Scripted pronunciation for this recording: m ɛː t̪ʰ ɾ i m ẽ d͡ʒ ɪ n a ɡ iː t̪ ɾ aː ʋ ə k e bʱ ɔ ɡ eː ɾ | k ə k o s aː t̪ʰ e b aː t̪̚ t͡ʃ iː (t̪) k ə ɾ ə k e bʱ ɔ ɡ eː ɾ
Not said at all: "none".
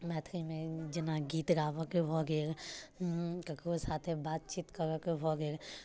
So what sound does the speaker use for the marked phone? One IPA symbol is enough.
t̪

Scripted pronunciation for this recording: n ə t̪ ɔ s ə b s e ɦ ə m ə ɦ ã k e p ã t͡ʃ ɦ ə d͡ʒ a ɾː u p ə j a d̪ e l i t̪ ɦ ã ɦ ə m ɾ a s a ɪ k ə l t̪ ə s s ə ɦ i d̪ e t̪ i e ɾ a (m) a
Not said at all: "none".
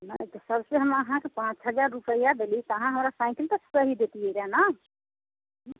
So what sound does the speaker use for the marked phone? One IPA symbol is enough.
n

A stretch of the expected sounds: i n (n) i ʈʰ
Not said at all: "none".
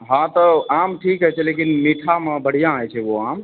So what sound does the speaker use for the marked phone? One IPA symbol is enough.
m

